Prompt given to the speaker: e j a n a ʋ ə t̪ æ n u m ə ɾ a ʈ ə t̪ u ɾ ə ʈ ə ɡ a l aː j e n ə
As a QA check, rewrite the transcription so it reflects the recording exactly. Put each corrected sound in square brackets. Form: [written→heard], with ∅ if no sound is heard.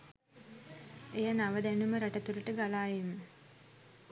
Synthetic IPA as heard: e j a n a ʋ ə [t̪→d̪] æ n u m ə ɾ a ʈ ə t̪ u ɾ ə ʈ ə ɡ a l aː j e [n→m] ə